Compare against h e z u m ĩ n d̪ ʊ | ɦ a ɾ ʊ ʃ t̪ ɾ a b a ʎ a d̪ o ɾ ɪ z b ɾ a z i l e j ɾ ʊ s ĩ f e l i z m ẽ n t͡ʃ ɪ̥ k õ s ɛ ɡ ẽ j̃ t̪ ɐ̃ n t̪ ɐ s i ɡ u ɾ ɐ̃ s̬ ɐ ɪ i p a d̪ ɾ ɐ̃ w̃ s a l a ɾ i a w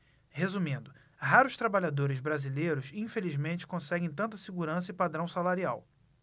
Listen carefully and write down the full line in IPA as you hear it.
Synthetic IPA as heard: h e z u m ĩ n d̪ ʊ | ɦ a ɾ ʊ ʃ t̪ ɾ a b a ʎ a d̪ o ɾ ɪ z b ɾ a z i l e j ɾ ʊ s ĩ f e l i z m ẽ n t͡ʃ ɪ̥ k õ s ɛ ɡ ẽ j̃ t̪ ɐ̃ n t̪ ɐ s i ɡ u ɾ ɐ̃ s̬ ɐ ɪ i p a d̪ ɾ ɐ̃ w̃ s a l a ɾ i a w